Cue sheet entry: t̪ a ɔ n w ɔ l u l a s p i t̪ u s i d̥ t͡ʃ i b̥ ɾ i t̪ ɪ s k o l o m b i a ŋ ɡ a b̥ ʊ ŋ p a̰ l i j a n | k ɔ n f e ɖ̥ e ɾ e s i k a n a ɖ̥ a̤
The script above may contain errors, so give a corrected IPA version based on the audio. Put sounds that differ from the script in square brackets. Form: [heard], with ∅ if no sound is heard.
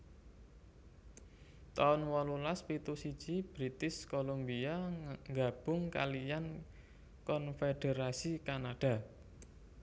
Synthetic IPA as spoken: t̪ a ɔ n w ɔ l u l a s p i t̪ u s i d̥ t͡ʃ i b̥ ɾ i t̪ ɪ s k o l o m b i a ŋ ɡ a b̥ ʊ ŋ [k] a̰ l i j a n | k ɔ n f e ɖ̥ e ɾ [a] s i k a n a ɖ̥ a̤